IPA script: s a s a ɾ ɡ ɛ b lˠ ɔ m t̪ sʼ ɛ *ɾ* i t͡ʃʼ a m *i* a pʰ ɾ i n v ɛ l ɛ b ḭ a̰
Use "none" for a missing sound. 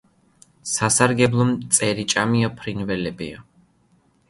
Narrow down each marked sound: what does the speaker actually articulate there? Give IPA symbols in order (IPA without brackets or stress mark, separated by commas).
ɾ, i